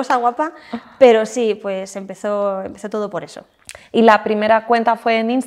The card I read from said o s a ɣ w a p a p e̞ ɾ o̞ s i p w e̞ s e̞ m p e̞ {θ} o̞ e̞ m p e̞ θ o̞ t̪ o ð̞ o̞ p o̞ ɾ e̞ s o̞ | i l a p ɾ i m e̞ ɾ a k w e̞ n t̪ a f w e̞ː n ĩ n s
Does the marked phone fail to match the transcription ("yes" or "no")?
no